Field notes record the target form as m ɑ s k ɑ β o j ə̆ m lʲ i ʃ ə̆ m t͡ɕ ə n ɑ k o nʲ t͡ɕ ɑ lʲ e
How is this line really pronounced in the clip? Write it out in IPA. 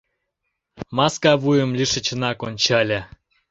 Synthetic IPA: m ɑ s k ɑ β u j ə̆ m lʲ i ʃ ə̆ t͡ɕ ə n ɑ k o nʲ t͡ɕ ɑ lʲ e